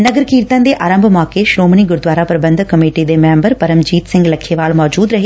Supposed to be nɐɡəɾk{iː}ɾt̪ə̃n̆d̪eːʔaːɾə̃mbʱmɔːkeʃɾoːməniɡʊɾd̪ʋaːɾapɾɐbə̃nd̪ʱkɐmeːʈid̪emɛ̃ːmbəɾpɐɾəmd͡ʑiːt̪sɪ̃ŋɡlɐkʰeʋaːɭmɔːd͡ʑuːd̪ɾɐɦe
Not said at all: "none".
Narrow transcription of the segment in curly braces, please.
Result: iː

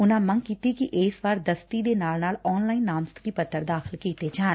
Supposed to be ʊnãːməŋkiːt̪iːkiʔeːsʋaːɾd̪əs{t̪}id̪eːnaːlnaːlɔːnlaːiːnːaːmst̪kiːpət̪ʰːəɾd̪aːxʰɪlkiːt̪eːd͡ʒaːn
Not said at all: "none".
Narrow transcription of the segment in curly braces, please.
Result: t̪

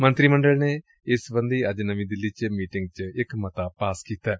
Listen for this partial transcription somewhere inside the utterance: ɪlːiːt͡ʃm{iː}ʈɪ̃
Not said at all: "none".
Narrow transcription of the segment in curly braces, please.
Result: iː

